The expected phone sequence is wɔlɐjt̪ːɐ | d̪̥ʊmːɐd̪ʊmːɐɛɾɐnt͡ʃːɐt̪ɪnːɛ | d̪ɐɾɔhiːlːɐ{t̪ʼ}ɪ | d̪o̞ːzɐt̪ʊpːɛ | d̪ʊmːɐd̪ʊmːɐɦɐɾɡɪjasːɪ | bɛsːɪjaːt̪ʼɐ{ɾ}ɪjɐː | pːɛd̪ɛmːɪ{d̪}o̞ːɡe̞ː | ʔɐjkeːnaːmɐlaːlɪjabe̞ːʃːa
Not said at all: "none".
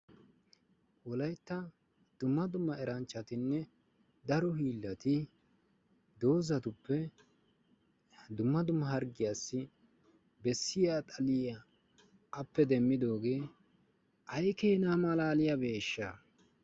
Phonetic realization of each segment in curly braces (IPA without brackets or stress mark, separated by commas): t̪, l, d̪